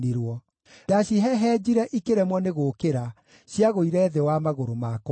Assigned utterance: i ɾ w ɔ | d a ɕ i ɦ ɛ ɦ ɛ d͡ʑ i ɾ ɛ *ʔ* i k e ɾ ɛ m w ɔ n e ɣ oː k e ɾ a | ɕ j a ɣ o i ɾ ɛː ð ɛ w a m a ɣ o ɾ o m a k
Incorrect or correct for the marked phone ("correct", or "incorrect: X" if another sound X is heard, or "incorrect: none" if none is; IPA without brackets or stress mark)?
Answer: correct